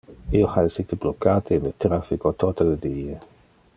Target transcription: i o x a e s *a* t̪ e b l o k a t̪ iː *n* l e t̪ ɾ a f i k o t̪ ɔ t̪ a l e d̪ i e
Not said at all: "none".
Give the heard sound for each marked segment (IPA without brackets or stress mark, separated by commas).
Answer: i, n